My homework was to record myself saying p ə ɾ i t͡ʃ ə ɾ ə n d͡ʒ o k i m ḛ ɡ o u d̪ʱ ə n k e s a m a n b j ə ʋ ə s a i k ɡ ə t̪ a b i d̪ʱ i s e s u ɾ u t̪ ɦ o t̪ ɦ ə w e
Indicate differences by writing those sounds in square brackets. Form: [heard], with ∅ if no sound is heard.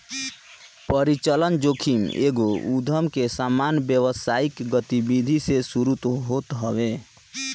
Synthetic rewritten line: p ə ɾ i t͡ʃ ə [l] ə n d͡ʒ o [kʰ] i m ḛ ɡ o u d̪ʱ ə [m] k e s a m a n b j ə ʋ ə s a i k ɡ ə t̪ [i] b i d̪ʱ i s e s u ɾ u t̪ ɦ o t̪ ɦ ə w e